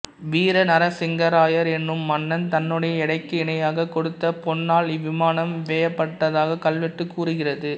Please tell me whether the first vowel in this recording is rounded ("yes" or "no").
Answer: no